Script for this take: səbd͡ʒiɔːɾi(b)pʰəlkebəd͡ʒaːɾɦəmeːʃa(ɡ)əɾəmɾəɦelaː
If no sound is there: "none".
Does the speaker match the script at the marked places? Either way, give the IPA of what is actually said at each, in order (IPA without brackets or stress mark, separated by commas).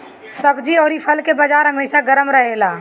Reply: none, ɡ